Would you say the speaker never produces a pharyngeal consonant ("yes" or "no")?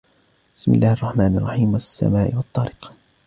no